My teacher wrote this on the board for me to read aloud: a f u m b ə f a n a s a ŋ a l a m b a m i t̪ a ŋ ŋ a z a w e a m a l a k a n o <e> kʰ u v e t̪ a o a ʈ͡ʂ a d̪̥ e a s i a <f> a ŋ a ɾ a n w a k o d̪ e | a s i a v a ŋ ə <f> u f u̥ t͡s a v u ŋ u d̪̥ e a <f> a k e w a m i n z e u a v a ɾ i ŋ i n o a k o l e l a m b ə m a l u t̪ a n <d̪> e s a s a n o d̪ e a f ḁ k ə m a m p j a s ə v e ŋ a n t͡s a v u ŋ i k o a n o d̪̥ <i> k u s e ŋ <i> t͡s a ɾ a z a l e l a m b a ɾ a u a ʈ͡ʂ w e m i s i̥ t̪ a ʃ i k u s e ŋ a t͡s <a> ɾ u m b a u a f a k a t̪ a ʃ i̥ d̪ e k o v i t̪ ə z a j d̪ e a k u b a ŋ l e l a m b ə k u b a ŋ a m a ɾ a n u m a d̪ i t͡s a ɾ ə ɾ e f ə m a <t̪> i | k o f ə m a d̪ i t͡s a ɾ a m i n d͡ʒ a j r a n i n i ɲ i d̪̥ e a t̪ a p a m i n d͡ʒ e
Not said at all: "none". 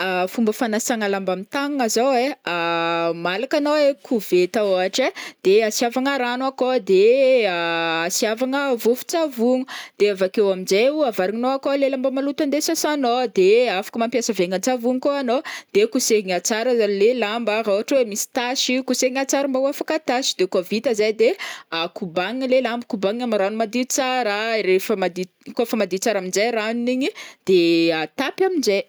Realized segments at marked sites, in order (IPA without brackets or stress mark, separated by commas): e, v, v, v, d̪, e, a, a, d̪